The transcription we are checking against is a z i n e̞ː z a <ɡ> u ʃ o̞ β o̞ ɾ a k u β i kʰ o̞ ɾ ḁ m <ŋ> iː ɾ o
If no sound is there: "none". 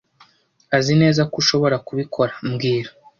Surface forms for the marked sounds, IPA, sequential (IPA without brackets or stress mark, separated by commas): k, ɡ